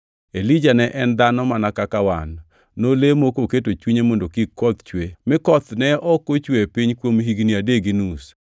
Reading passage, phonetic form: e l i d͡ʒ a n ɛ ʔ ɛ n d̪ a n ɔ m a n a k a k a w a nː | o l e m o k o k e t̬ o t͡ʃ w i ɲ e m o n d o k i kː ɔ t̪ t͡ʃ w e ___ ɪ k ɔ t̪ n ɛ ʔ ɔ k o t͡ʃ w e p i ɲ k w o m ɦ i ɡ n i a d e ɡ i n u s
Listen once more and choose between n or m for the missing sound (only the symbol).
m